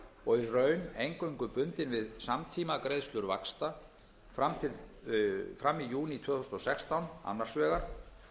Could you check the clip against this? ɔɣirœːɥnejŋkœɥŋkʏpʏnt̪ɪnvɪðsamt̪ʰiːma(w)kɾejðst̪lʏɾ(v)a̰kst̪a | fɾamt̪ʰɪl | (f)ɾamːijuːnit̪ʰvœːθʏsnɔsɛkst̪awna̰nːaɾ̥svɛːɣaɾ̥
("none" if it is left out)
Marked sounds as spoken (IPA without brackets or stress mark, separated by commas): none, v, f